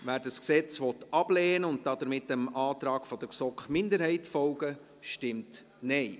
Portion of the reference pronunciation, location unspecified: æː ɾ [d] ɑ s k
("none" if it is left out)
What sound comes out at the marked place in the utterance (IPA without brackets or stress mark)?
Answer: d